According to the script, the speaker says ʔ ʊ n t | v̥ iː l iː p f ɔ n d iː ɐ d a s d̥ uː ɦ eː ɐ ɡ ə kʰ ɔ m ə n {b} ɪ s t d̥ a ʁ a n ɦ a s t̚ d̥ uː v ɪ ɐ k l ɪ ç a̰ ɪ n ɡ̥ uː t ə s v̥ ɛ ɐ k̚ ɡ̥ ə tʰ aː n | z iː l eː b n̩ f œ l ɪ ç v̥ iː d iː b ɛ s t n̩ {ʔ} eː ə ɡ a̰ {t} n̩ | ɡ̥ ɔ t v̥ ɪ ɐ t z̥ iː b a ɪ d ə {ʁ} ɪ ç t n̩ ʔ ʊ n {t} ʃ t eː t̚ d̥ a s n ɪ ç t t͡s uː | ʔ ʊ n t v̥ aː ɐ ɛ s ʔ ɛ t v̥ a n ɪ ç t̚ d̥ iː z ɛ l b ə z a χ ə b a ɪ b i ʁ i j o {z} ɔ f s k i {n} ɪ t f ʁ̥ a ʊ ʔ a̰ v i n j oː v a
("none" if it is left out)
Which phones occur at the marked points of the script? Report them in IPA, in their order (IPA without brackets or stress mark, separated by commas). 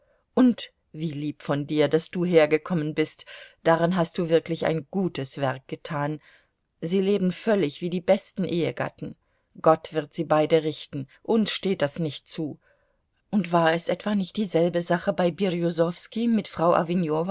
b, ʔ, t, ʁ, s, z, m